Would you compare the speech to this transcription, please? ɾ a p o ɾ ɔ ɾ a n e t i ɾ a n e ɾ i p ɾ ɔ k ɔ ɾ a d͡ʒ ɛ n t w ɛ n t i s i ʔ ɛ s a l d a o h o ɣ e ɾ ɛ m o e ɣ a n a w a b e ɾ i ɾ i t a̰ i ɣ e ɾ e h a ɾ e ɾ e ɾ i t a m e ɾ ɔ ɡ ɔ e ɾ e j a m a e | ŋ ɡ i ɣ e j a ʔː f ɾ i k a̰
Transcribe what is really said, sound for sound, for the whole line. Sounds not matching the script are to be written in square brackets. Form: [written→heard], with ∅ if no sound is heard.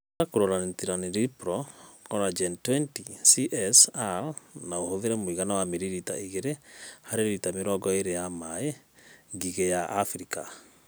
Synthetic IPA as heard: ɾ a [p→k] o ɾ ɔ ɾ a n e t i ɾ a n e ɾ i p ɾ ɔ k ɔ ɾ a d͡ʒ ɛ n t w ɛ n t i s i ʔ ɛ s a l [d→n] a o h o [ɣ→ð] e ɾ ɛ m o [e→i] ɣ a n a w a [b→m] e ɾ i ɾ i t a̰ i ɣ e ɾ e h a ɾ e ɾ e ɾ i t a m e ɾ ɔ ɡ ɔ e ɾ e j a m a e | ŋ ɡ i ɣ e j a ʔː f ɾ i k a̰